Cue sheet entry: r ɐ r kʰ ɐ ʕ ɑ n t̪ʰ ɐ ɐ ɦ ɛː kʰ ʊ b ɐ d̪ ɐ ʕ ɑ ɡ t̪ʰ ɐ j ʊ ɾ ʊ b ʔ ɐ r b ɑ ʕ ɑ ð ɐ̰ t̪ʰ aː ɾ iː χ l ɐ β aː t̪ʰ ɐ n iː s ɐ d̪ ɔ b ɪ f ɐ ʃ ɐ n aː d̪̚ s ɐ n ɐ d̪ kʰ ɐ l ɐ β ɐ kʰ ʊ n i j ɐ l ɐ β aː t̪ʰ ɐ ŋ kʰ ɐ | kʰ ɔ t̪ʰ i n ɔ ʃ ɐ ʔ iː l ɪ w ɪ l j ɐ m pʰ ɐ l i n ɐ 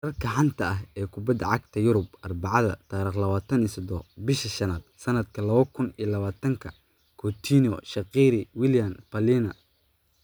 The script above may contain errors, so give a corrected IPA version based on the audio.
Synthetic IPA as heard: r ɐ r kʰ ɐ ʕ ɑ n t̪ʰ ɐ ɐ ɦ ɛː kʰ ʊ b ɐ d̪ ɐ ʕ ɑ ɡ t̪ʰ ɐ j ʊ ɾ ʊ b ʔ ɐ r b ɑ ʕ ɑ ð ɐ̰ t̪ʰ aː ɾ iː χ l ɐ β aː t̪ʰ ɐ n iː s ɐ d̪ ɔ b ɪ ʃ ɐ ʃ ɐ n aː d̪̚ s ɐ n ɐ d̪ kʰ ɐ l ɐ β ɐ kʰ ʊ n i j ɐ l ɐ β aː t̪ʰ ɐ ŋ kʰ ɐ | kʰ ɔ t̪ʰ i n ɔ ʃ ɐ q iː ɾ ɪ w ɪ l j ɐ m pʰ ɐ l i n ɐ